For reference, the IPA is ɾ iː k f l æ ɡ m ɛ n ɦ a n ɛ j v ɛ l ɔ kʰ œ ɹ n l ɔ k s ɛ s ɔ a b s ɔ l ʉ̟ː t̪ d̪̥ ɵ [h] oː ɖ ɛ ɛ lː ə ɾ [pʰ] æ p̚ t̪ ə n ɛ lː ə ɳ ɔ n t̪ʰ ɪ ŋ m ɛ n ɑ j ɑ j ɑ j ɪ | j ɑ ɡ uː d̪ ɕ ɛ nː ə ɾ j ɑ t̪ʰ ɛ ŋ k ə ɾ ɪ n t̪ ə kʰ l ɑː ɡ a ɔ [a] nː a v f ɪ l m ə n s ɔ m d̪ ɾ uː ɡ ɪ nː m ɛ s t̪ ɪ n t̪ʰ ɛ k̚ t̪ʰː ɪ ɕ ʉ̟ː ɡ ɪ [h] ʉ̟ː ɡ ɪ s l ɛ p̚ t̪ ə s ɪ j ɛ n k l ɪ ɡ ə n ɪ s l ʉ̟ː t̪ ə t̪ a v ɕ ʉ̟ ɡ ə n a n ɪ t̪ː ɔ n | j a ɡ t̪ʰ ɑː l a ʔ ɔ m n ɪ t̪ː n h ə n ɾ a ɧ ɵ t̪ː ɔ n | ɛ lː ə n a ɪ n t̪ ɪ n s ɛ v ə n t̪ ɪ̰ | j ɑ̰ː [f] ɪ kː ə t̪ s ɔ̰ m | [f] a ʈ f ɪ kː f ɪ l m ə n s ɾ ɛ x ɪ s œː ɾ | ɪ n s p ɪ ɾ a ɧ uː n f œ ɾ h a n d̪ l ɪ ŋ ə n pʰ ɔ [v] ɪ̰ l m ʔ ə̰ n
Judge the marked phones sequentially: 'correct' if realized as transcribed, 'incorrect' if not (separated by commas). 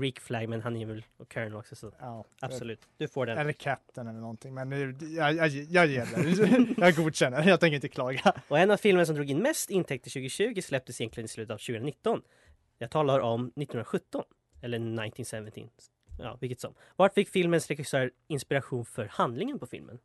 incorrect, incorrect, incorrect, incorrect, incorrect, incorrect, incorrect